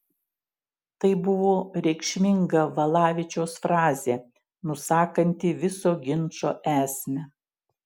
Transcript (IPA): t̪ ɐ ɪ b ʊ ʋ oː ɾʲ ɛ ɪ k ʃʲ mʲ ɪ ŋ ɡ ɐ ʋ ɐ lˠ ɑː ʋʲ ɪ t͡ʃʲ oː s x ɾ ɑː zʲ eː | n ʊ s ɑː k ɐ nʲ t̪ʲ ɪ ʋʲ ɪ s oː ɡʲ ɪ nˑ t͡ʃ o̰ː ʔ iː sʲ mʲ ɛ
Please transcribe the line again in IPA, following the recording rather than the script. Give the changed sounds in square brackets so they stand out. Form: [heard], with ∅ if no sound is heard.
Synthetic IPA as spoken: t̪ ɐ ɪ b ʊ ʋ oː ɾʲ ɛ ɪ k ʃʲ mʲ ɪ ŋ ɡ ɐ ʋ ɐ lˠ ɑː ʋʲ ɪ t͡ʃʲ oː s [f] ɾ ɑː zʲ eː | n ʊ s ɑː k ɐ nʲ t̪ʲ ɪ ʋʲ ɪ s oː ɡʲ ɪ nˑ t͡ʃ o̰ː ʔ [æː] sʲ mʲ ɛ